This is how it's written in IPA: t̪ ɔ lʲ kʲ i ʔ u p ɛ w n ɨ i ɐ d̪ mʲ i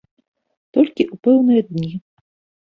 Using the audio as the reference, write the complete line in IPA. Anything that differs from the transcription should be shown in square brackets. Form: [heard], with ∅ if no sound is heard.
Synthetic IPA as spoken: t̪ ɔ lʲ kʲ i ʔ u p ɛ w n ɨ [j] ɐ d̪ [nʲ] i